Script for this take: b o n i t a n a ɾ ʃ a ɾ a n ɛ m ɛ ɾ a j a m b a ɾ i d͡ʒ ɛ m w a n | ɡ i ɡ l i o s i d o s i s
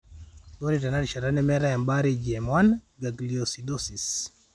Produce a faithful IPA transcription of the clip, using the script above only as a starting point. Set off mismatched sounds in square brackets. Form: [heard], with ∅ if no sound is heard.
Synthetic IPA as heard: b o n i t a n a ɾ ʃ a ɾ a n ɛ m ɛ ɾ a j a m b a ɾ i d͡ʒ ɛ m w a n | ɡ [a] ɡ l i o s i d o s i s